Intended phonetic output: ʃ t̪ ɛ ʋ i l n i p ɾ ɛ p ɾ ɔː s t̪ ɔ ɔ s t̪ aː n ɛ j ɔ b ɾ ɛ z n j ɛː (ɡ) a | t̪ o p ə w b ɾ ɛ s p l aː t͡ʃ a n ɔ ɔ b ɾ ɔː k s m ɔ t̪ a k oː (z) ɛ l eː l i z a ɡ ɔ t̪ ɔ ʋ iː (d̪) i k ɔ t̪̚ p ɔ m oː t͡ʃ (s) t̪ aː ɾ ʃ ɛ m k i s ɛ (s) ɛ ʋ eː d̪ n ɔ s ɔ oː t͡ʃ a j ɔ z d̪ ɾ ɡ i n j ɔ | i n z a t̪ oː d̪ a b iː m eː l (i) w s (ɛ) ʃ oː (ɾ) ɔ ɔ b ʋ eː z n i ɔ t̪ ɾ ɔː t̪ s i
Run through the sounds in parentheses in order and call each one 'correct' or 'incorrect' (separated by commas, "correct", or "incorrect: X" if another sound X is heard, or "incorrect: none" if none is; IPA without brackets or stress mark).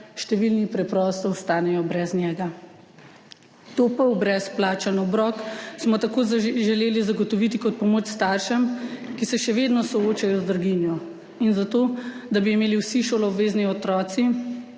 correct, incorrect: ʒ, incorrect: t̪, correct, incorrect: ʃ, correct, incorrect: i, incorrect: l